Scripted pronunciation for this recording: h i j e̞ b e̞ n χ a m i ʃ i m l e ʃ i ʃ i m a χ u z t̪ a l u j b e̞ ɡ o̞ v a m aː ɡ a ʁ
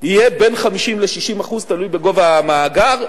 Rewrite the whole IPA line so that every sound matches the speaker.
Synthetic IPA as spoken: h i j e̞ b e̞ n χ a m i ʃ i m l e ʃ i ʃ i m a χ u z t̪ a l u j b e̞ ɡ o̞ v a m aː ɡ a ʁ